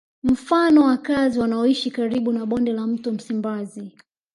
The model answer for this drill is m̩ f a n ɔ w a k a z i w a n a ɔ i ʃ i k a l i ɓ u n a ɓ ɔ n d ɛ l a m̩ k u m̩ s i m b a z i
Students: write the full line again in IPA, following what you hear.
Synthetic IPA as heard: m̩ f a n ɔ w a k a z i w a n a ɔ i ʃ i k a ɾ i ɓ u n a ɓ ɔ n d ɛ l a m̩ t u m̩ s i m b a z i